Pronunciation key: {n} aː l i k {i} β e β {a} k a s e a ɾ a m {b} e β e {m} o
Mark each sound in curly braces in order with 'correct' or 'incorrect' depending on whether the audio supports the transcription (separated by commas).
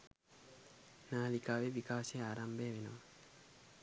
correct, incorrect, incorrect, correct, incorrect